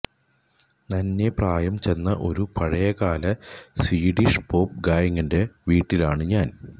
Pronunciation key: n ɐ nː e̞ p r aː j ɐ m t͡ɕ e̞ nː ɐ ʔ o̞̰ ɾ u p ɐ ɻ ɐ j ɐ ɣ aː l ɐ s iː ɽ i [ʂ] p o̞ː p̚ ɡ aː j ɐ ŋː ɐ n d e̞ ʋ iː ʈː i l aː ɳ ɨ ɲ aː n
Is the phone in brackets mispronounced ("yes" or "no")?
no